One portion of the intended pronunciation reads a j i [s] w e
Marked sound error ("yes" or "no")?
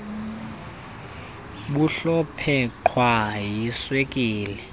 no